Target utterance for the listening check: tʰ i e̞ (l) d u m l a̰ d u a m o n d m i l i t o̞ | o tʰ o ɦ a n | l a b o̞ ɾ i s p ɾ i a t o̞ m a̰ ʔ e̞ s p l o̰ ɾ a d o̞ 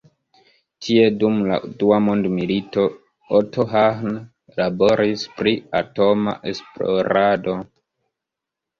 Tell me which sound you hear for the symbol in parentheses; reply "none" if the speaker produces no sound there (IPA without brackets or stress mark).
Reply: none